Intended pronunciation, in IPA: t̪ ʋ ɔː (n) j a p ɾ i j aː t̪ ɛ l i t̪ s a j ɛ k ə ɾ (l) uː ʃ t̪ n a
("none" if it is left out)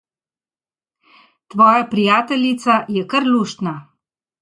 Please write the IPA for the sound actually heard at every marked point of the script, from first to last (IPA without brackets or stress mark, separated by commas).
none, l